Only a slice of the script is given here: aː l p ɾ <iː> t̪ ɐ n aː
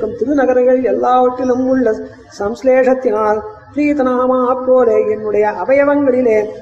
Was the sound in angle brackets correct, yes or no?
yes